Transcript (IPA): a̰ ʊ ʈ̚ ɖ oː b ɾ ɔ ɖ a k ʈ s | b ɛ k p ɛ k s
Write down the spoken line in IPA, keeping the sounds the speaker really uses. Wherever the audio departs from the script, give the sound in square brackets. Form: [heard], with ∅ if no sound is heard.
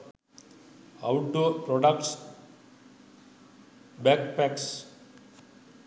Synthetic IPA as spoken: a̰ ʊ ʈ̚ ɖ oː [p] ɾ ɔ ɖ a k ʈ s | b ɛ k p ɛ k s